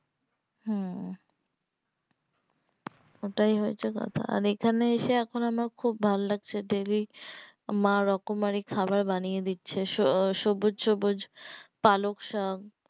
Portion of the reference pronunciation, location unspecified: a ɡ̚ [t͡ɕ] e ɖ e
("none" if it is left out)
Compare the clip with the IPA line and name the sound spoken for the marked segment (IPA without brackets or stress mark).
t͡ɕʰ